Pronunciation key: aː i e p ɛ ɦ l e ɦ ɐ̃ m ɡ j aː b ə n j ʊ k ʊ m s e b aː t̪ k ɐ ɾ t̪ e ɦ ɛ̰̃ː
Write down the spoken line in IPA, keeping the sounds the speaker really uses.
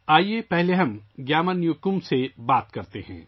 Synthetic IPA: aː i e p ɛ ɦ l e ɦ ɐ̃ m ɡ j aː m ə n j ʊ k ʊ m s e b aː t̪ k ɐ ɾ t̪ e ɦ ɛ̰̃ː